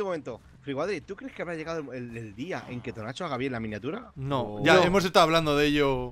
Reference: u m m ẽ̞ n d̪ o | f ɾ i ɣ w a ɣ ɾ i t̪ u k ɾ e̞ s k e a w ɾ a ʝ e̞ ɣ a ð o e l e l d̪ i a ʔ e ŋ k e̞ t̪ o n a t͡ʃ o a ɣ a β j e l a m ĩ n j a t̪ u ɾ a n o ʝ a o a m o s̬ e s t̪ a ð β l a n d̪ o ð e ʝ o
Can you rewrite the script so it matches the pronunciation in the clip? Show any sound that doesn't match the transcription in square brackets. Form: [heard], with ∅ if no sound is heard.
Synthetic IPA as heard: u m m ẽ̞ n [t̪] o | f ɾ i ɣ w a [ð] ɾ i t̪ u k ɾ e̞ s k e a [β] ɾ a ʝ e̞ ɣ a ð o e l e l d̪ i a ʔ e ŋ k e̞ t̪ o n a t͡ʃ o a ɣ a β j e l a m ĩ n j a t̪ u ɾ a n o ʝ a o [e] m o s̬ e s t̪ a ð β l a n d̪ o ð e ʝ o